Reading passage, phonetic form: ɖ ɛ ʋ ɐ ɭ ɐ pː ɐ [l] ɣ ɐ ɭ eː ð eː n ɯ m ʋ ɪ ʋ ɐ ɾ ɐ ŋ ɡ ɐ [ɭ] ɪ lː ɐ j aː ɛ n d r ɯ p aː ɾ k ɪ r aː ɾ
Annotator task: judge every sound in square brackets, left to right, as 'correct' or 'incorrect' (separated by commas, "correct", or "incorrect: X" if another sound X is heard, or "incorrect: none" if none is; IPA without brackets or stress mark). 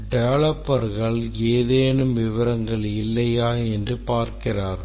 incorrect: ɾ, correct